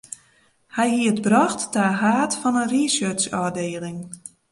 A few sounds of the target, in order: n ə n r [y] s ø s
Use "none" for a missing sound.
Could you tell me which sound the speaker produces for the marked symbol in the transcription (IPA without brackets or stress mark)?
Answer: i